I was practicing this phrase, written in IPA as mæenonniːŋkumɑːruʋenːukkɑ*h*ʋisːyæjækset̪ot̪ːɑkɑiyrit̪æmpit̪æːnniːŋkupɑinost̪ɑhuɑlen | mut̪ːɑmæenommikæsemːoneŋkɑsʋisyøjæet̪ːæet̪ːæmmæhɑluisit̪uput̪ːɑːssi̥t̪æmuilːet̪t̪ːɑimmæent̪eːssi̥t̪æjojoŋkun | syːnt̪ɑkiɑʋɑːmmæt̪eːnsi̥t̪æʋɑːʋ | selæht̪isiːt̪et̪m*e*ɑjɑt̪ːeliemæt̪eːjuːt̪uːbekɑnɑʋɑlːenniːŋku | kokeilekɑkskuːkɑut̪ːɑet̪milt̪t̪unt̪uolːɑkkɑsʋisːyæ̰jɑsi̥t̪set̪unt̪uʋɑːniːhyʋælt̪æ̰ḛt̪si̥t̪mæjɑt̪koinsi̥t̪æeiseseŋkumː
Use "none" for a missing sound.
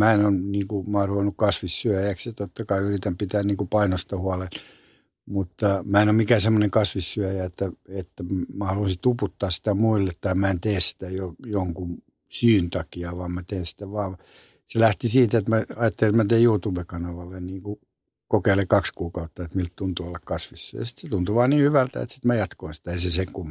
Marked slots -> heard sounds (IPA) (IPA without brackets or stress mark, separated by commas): s, æ